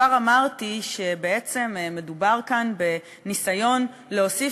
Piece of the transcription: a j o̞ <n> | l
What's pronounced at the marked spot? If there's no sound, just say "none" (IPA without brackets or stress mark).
n